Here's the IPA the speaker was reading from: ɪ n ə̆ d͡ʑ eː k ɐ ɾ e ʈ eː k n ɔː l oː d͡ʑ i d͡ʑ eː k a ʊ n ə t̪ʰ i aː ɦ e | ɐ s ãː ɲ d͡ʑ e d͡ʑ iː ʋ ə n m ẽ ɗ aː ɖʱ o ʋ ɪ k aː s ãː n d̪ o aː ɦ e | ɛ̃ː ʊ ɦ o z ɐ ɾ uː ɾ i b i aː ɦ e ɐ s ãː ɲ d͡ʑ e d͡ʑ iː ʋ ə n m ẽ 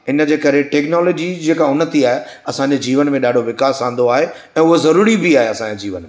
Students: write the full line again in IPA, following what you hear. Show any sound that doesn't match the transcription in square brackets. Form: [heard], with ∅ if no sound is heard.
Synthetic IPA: ɪ n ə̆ d͡ʑ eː k ɐ ɾ e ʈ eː k n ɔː l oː d͡ʑ i d͡ʑ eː k a ʊ n ə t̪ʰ i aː ɦ e | ɐ s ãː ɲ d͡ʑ e d͡ʑ iː ʋ ə n m ẽ ɗ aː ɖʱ o ʋ ɪ k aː s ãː n d̪ o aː ɦ e | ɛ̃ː ʊ ɦ o z ɐ ɾ uː ɾ i b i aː ɦ e ɐ s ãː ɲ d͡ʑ e d͡ʑ iː ʋ ə n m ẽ